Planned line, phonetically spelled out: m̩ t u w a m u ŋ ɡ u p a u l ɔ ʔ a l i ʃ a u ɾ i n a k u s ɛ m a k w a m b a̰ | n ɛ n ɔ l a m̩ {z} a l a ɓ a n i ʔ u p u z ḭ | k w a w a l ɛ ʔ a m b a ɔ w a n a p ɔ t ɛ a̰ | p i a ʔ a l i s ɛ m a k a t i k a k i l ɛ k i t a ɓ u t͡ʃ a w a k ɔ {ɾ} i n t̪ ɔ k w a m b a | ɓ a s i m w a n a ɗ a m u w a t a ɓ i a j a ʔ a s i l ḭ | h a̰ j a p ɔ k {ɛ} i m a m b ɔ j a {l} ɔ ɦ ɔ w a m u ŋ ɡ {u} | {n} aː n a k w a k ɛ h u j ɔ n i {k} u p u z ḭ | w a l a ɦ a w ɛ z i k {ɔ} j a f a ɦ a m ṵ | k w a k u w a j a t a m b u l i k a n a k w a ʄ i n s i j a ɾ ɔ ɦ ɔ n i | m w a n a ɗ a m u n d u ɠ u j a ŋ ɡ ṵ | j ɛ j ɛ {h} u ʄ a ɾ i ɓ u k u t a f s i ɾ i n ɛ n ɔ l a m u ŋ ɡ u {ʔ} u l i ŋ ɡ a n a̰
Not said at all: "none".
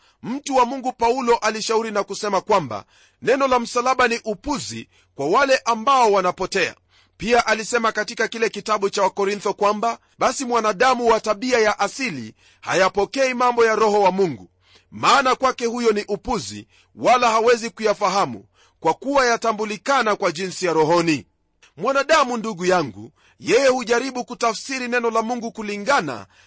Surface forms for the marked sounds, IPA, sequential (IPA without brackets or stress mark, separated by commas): s, ɾ, ɛ, ɾ, u, m, ʔ, u, h, k